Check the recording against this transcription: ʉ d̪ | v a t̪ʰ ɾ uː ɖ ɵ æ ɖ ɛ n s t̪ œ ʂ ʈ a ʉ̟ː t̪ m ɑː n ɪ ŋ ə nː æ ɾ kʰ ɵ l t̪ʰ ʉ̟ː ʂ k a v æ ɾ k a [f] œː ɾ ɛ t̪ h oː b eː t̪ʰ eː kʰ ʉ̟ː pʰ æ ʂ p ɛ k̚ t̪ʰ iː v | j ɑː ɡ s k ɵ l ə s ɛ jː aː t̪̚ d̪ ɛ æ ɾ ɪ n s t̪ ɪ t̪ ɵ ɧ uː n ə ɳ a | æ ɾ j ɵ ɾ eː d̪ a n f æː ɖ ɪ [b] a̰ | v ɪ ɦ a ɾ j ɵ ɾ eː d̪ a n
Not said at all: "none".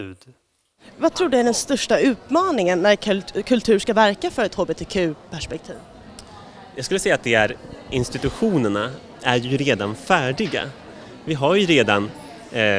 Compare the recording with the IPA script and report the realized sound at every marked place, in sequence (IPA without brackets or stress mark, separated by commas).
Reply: f, ɡ